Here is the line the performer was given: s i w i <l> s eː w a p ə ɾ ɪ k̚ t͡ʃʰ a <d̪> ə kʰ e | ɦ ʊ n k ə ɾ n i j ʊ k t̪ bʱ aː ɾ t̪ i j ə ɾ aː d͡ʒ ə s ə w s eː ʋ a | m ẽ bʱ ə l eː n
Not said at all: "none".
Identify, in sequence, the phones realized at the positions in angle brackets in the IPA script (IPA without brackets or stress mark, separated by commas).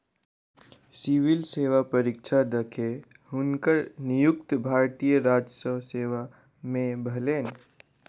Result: l, d̪